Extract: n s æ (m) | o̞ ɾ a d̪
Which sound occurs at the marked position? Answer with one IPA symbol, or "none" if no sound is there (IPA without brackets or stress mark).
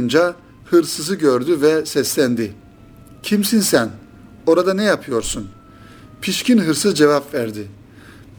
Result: n